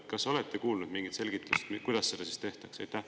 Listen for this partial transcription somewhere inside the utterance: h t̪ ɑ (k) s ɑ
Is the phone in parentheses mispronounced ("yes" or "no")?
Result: no